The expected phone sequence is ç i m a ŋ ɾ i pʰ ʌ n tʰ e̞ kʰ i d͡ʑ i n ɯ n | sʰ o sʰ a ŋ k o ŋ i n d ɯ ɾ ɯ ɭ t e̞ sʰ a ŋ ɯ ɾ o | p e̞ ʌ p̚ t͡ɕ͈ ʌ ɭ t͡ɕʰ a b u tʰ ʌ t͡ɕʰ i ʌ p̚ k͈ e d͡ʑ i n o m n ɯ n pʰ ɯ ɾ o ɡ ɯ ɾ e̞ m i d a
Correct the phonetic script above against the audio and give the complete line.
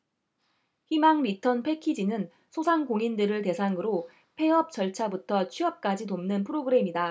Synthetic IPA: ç i m a ŋ ɾ i tʰ ʌ n pʰ e̞ kʰ i d͡ʑ i n ɯ n | sʰ o sʰ a ŋ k o ŋ i n d ɯ ɾ ɯ ɭ t e̞ sʰ a ŋ ɯ ɾ o | pʰ e̞ ʌ p̚ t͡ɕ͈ ʌ ɭ t͡ɕʰ a b u tʰ ʌ t͡ɕʰ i ʌ p̚ k͈ a d͡ʑ i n o m n ɯ n pʰ ɯ ɾ o ɡ ɯ ɾ e̞ m i d a